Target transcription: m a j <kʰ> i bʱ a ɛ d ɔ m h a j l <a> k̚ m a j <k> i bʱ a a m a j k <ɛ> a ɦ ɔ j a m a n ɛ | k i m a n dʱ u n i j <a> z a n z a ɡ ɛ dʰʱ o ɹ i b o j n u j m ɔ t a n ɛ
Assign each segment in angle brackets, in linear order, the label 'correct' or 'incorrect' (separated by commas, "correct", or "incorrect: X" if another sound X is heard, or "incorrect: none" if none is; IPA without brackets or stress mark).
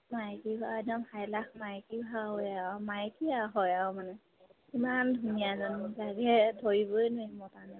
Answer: incorrect: k, correct, correct, incorrect: i, correct